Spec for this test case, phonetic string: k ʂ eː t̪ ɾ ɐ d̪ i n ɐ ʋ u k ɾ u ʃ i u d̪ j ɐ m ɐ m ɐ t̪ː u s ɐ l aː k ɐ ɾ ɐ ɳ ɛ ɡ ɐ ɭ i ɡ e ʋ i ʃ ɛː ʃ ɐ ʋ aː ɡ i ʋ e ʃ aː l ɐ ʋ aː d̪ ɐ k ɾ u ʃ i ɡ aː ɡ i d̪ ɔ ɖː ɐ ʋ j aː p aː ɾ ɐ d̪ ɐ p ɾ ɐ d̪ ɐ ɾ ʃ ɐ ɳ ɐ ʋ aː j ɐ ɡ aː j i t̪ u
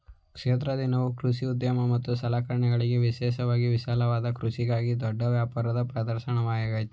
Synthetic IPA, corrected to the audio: k ʂ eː t̪ ɾ ɐ d̪ i n ɐ ʋ u k ɾ u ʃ i u d̪ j ɐ m ɐ m ɐ t̪ː u s ɐ l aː k ɐ ɾ ɐ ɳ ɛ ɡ ɐ ɭ i ɡ e ʋ i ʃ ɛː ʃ ɐ ʋ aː ɡ i ʋ i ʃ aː l ɐ ʋ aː d̪ ɐ k ɾ u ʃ i ɡ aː ɡ i d̪ ɔ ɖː ɐ ʋ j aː p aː ɾ ɐ d̪ ɐ p ɾ ɐ d̪ ɐ ɾ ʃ ɐ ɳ ɐ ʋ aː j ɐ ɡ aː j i t̪ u